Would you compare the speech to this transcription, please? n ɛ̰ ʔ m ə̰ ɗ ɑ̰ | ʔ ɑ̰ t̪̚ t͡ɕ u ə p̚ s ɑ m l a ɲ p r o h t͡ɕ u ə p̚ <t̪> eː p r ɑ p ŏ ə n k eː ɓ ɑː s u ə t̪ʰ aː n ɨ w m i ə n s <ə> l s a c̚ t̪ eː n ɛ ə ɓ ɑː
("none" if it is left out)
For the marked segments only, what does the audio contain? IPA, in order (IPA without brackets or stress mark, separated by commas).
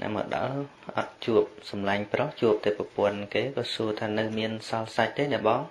t̪, ɑ